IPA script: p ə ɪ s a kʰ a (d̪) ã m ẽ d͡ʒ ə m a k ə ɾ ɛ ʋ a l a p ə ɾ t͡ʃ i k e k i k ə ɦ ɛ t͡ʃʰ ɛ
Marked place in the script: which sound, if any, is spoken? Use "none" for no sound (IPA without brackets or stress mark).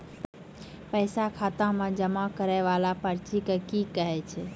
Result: t̪